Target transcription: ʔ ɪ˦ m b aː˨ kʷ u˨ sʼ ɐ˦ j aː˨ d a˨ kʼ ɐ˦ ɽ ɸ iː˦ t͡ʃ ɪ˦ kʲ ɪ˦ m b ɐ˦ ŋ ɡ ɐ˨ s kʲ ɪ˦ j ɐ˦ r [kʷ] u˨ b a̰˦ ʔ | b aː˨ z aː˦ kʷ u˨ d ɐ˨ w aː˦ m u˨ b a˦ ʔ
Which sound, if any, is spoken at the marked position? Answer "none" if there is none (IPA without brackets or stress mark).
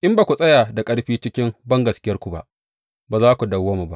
kʷ